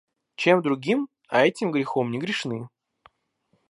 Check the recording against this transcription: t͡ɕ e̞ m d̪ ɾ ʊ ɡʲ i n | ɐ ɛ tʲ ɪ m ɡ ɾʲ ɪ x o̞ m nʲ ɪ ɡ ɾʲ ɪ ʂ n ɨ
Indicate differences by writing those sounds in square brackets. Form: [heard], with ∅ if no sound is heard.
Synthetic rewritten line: t͡ɕ e̞ m d̪ ɾ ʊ ɡʲ i [m] | ɐ ɛ tʲ ɪ m ɡ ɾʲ ɪ x o̞ m nʲ ɪ ɡ ɾʲ ɪ ʂ n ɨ